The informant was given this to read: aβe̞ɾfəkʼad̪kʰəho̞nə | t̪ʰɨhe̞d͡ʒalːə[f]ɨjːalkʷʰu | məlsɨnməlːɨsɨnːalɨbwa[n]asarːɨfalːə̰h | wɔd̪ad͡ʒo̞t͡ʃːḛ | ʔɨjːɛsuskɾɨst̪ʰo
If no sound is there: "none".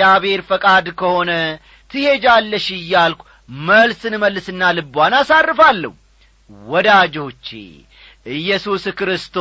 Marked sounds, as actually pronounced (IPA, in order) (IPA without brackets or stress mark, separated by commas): ʃ, n